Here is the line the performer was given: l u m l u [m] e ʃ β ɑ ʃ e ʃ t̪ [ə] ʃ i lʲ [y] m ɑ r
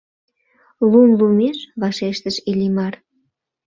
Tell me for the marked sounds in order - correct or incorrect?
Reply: correct, correct, incorrect: i

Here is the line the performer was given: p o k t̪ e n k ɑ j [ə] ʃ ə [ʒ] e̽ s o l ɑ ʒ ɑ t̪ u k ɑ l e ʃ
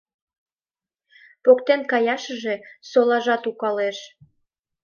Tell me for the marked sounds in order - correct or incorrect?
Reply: incorrect: ɑ, correct

